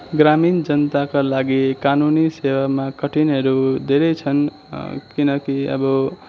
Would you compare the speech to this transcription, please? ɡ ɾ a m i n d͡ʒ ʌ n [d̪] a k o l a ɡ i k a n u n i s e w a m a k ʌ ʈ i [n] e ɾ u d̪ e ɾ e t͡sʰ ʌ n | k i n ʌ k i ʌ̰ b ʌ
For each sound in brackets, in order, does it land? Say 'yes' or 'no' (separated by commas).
no, yes